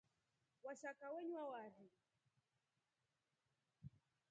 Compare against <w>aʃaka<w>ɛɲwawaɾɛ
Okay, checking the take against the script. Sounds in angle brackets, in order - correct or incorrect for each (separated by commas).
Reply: correct, correct